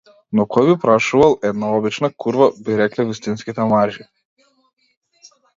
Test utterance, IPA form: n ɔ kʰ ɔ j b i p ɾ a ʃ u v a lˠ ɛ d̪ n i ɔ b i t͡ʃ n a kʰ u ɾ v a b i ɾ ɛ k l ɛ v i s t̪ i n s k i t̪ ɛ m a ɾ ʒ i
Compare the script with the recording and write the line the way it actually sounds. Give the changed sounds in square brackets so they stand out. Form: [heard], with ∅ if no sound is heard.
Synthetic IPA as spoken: n ɔ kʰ ɔ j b i p ɾ a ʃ u v a lˠ ɛ d̪ n [a] ɔ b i t͡ʃ n a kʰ u ɾ v a b i ɾ ɛ k l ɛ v i s t̪ i n s k i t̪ ɛ m a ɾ ʒ i